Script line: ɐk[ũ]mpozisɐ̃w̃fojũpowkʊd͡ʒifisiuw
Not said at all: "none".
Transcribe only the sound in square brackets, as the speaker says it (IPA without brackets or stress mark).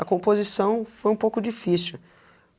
õ